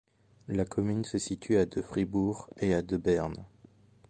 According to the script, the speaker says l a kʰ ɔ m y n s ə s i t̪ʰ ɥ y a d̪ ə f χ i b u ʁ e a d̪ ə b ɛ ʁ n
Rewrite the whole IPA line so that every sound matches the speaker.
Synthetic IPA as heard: l a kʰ ɔ m y n s ə s i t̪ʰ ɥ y a d̪ ə f χ i b u ʁ e a d̪ ə b ɛ ʁ n